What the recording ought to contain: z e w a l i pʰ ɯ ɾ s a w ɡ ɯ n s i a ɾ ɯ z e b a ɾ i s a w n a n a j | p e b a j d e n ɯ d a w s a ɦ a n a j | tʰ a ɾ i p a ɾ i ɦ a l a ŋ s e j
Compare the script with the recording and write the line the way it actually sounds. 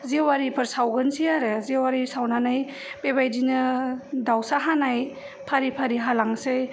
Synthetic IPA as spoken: z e w a ɾ i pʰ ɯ ɾ s a w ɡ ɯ n s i a ɾ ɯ z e w a ɾ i s a w n a n a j | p e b a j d i n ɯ d a w s a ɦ a n a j | pʰ a ɾ i pʰ a ɾ i ɦ a l a ŋ s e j